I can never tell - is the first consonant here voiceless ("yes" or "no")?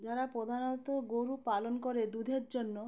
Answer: no